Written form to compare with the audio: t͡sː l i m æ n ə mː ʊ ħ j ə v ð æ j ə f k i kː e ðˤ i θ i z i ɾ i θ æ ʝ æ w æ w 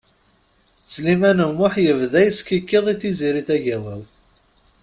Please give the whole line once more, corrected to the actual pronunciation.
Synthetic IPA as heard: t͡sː l i m æ n ə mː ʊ ħ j ə v ð æ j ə s k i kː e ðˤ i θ i z i ɾ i θ æ ʝ æ w æ w